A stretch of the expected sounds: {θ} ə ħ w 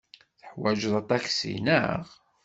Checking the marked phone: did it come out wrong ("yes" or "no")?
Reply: no